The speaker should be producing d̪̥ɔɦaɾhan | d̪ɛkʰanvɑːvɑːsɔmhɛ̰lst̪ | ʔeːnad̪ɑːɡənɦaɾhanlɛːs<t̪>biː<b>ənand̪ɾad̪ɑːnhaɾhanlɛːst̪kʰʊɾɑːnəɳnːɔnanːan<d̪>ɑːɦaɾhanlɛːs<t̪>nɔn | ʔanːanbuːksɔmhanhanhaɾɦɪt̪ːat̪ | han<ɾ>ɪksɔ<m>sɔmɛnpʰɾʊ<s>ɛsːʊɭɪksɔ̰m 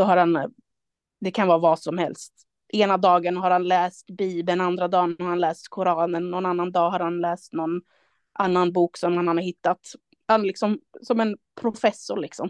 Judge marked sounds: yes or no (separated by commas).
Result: yes, yes, yes, yes, no, yes, no